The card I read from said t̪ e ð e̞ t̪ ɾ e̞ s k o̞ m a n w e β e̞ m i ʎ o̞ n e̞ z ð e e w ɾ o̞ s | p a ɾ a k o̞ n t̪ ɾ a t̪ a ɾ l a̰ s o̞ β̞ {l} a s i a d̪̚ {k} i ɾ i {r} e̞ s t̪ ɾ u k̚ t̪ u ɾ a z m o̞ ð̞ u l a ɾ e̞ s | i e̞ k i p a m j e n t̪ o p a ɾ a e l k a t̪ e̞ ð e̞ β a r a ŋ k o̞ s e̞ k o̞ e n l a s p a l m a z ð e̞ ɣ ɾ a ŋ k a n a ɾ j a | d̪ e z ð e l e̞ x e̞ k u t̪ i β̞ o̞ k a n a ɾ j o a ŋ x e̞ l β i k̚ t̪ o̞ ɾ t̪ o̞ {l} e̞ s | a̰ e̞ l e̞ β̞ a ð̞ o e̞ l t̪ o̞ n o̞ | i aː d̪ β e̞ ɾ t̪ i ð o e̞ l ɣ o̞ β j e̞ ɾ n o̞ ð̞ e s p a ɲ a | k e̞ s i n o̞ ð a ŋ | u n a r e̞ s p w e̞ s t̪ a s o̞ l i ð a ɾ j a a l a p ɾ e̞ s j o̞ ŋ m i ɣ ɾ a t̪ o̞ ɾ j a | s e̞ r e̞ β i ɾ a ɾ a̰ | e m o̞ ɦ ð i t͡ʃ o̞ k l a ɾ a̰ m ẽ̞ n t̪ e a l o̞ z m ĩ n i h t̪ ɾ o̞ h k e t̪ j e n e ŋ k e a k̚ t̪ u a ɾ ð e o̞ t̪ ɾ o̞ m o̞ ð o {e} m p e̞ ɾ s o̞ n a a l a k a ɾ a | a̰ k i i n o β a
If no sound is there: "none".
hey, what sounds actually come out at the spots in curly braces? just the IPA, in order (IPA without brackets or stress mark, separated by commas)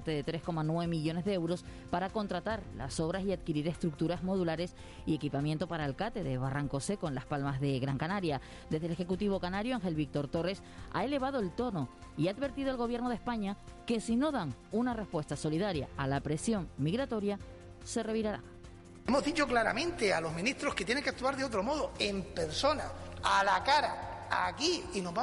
ɾ, k, ɾ, r, e